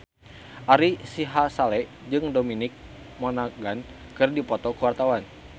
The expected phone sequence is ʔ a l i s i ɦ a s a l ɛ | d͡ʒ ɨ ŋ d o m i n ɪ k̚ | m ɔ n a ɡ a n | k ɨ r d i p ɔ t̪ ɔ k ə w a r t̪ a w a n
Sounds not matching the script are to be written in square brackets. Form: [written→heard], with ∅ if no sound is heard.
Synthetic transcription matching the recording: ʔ a [l→ɾ] i s i ɦ a s a l ɛ | d͡ʒ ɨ ŋ d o m i n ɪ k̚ | m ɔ n a ɡ a n | k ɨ r d i p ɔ t̪ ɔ k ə w a r t̪ a w a n